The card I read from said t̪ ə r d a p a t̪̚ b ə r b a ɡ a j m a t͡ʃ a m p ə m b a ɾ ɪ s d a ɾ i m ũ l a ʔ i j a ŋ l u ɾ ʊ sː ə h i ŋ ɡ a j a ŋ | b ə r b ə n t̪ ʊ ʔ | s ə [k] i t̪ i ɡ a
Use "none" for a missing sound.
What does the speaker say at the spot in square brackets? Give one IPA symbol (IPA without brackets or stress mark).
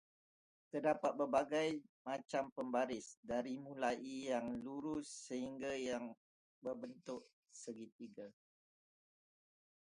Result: ɡ